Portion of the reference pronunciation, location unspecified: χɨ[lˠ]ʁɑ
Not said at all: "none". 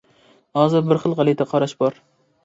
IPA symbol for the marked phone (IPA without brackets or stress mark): lˠ